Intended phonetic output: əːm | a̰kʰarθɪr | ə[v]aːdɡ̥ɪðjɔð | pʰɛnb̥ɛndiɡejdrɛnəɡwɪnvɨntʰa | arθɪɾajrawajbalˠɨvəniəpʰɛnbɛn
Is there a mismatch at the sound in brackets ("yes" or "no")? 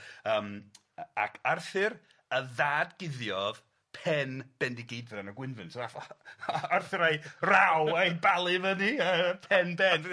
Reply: yes